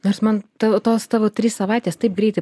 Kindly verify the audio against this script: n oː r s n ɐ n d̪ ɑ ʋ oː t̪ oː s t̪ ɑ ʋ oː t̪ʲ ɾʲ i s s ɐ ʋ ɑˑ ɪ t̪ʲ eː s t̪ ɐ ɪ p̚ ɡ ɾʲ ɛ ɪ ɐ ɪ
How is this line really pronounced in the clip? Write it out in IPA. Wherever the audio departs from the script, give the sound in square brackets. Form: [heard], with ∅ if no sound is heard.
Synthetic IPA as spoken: n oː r s [m] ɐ n [t̪] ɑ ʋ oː t̪ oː s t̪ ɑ ʋ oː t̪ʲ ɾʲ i s s ɐ ʋ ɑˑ ɪ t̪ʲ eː s t̪ ɐ ɪ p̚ ɡ ɾʲ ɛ ɪ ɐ ɪ